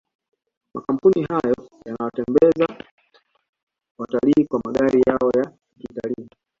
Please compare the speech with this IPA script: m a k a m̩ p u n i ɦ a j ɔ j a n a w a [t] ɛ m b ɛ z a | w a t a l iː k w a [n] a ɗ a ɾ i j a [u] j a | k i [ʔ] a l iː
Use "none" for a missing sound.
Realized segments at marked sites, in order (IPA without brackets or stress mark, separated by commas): t, m, ɔ, t